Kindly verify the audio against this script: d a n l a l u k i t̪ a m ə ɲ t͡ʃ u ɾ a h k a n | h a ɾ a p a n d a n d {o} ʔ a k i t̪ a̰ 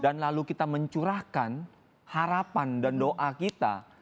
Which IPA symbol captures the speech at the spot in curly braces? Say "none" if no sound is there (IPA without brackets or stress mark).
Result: o